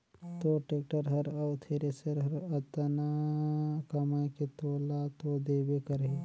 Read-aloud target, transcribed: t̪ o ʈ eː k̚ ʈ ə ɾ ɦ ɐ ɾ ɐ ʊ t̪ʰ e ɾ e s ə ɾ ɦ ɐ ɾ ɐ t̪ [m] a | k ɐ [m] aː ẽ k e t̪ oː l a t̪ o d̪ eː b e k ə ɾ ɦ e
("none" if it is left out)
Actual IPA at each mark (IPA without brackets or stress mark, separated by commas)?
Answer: n, m